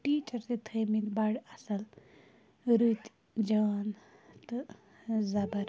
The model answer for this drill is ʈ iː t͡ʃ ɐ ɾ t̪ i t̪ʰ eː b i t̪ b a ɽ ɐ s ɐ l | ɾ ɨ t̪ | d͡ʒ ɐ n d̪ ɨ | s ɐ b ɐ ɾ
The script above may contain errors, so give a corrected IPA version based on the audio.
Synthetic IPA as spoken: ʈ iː t͡ʃ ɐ ɾ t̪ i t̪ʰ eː m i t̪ b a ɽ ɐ s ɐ l | ɾ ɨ t̪ | d͡ʒ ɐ n t̪ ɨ | z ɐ b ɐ ɾ